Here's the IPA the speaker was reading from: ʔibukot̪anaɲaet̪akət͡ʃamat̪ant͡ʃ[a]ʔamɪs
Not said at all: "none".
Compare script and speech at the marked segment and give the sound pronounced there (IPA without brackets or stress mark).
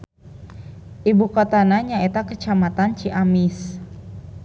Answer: i